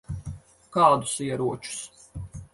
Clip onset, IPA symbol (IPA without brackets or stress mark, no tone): k